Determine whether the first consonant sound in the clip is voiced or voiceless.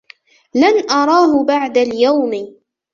voiced